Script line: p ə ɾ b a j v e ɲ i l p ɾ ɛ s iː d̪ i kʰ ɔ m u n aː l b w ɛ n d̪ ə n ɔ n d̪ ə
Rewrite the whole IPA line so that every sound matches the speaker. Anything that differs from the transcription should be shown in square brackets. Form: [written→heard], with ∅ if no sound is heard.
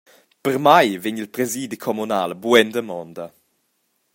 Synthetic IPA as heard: p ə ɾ [b→m] a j v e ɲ i l p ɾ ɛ [s→z] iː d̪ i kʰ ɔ m u n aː l b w ɛ n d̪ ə [n→m] ɔ n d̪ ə